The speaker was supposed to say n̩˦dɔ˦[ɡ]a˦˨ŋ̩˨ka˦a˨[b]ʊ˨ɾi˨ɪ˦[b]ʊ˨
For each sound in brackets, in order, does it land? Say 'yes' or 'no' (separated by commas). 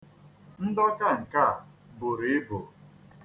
no, yes, yes